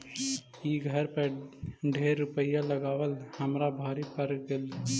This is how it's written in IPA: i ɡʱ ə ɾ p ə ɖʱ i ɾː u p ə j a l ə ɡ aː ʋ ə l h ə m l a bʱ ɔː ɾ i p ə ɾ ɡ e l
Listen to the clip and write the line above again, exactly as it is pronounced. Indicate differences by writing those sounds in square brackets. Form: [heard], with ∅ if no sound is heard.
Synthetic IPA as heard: i ɡʱ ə ɾ p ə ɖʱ [e] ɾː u p ə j a l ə ɡ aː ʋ ə l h ə m [ɾ] a bʱ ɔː ɾ i p ə ɾ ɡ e l